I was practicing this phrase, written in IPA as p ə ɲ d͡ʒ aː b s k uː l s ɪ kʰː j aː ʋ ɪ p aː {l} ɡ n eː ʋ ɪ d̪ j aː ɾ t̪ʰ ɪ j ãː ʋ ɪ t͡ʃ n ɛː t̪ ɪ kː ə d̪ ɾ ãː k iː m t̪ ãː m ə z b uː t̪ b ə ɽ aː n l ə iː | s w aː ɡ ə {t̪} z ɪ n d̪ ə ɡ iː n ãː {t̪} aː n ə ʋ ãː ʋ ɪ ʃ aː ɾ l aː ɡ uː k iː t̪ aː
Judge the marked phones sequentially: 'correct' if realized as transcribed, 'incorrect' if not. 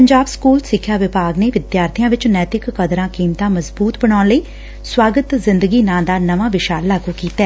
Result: incorrect, correct, incorrect

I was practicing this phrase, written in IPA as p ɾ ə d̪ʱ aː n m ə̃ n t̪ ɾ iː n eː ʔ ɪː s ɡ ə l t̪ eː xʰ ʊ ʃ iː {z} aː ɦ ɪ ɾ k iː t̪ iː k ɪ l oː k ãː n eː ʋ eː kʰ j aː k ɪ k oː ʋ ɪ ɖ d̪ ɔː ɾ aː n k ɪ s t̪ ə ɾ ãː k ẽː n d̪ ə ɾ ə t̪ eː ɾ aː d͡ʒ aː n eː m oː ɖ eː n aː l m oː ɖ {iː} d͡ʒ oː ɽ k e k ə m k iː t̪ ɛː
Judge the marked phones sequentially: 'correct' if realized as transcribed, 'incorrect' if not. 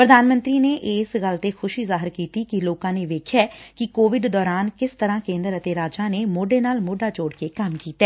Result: correct, incorrect

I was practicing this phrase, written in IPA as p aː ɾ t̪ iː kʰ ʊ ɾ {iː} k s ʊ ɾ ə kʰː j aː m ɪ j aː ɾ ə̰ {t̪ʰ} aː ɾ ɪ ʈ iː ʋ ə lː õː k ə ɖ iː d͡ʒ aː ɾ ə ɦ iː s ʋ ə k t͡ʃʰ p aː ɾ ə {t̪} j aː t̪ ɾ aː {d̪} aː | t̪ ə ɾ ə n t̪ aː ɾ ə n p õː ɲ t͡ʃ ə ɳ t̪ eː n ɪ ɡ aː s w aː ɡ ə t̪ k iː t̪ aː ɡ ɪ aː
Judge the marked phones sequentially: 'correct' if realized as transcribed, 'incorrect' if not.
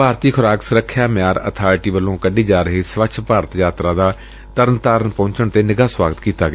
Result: incorrect, correct, correct, correct

